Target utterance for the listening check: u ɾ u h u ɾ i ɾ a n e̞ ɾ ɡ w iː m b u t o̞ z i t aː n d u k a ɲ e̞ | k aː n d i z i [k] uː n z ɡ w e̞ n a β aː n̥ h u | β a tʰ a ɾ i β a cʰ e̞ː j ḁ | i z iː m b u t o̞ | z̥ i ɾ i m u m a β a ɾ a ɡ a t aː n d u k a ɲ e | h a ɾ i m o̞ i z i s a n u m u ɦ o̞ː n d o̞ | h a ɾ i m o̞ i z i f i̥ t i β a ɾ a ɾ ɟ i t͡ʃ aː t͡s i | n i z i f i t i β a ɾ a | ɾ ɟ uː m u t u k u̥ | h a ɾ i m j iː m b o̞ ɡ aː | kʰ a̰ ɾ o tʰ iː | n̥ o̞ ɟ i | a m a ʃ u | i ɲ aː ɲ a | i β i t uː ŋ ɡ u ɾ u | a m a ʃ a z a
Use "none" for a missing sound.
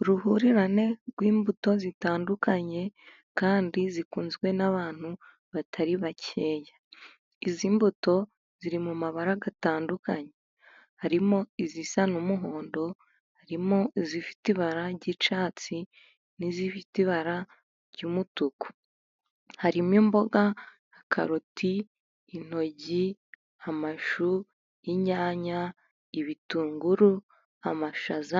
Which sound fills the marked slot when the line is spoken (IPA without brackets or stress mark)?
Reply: k